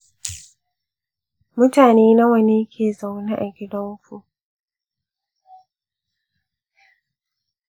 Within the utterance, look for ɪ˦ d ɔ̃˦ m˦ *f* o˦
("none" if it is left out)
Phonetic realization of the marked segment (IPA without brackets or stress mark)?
f